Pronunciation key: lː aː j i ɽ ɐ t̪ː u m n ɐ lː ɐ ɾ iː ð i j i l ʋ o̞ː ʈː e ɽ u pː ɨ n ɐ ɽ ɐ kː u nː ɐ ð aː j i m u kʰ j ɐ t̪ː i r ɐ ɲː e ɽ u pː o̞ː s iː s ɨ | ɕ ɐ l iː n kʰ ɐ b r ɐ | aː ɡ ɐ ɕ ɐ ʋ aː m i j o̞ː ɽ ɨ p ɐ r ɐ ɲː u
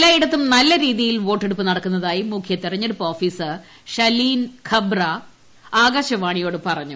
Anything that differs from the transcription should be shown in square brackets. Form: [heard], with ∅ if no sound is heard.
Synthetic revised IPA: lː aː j i ɽ ɐ t̪ː u m n ɐ lː ɐ ɾ iː ð i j i l ʋ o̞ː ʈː e ɽ u pː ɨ n ɐ ɽ ɐ kː u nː ɐ ð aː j i m u kʰ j ɐ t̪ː i r ɐ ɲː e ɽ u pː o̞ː [f] iː s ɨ | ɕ ɐ l iː n kʰ ɐ b r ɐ | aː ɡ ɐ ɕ ɐ ʋ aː [ɳ] i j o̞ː ɽ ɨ p ɐ r ɐ ɲː u